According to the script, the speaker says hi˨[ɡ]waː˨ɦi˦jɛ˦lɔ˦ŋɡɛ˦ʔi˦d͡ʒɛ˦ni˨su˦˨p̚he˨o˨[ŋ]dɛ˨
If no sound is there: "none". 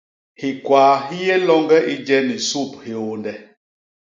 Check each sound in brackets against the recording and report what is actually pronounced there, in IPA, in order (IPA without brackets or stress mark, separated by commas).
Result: k, n